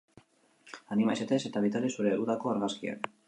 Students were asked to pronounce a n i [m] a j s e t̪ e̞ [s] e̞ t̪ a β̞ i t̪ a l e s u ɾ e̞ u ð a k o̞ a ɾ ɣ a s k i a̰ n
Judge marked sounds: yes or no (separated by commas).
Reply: yes, yes